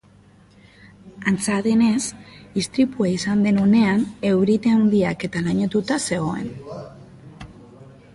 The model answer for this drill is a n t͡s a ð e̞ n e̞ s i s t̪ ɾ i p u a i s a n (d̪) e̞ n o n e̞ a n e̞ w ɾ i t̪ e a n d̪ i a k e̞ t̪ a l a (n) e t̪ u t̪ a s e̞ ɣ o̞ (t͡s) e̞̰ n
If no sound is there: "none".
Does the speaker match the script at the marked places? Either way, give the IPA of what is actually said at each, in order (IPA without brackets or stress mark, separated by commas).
d̪, ɲ, none